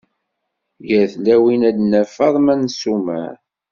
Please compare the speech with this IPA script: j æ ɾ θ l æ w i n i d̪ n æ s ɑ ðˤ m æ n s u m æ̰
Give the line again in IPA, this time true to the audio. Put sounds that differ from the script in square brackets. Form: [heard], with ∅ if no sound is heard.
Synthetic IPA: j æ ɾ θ l æ w i n [æ] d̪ n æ [f] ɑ ðˤ m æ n s u m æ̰